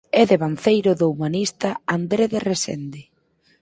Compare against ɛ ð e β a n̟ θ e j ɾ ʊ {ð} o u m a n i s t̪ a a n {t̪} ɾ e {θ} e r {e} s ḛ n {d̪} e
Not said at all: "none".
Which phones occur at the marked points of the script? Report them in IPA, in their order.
ð, d̪, ð, e, d̪

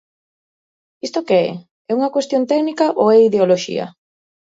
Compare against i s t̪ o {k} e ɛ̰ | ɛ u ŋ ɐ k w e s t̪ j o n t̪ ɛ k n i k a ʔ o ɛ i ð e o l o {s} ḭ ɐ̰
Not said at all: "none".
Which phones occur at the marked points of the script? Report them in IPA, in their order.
k, ʃ

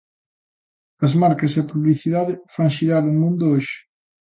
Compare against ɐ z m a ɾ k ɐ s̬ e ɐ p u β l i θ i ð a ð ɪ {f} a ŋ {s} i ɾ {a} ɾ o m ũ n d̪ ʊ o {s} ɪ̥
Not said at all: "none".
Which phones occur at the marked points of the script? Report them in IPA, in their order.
f, ʃ, a, ʃ

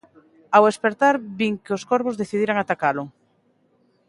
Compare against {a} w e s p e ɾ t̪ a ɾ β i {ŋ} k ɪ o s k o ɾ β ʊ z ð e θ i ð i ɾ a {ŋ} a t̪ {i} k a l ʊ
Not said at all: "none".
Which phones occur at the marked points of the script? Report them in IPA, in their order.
a, ŋ, ŋ, a

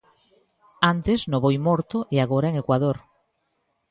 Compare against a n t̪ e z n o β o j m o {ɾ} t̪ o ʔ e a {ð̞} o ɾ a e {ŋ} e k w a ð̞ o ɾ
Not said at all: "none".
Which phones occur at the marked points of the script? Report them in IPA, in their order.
ɾ, ɣ̞, ŋ

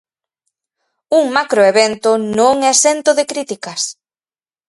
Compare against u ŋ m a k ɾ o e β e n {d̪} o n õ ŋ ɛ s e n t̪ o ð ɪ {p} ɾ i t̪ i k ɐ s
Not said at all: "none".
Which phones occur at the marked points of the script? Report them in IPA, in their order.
t̪, k

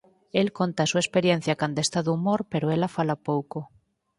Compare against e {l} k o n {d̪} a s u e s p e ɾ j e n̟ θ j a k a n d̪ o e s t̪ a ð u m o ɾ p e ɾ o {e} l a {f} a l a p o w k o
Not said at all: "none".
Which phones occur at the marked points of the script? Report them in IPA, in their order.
l, t̪, e, f

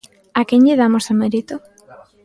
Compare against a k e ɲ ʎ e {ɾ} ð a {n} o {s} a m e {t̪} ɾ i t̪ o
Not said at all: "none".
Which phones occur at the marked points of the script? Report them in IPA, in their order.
none, m, s, none

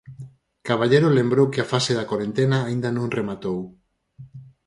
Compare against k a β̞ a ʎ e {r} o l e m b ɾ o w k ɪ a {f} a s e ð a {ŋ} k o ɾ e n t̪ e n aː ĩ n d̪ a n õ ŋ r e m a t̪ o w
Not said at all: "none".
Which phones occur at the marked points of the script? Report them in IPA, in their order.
ɾ, f, none

